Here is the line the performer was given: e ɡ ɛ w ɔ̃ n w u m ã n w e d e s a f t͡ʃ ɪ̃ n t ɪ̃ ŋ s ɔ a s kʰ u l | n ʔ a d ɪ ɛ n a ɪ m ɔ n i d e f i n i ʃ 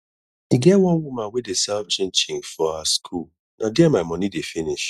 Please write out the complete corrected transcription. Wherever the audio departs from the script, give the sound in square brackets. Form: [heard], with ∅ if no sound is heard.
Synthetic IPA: [i] ɡ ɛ w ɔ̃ n w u m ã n w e d e s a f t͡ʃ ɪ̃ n [t͡ʃ] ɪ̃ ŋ [f] ɔ a s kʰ u l | n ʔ a d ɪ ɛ [m] a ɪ m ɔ n i d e f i n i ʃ